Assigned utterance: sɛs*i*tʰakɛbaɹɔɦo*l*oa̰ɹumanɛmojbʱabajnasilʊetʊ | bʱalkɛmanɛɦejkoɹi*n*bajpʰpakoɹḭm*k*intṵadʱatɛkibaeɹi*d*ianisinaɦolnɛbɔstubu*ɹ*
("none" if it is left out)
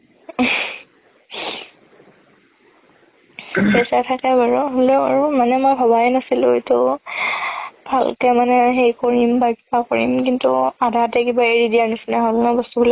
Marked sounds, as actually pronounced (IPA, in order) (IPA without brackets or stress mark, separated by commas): a, l, m, k, d, l